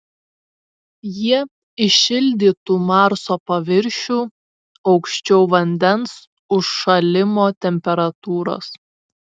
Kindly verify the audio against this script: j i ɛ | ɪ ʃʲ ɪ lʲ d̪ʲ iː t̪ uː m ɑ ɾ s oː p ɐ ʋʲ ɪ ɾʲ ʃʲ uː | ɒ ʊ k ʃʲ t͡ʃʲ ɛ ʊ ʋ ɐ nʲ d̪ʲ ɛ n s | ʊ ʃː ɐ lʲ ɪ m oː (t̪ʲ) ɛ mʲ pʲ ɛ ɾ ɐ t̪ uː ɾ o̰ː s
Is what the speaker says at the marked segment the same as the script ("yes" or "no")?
yes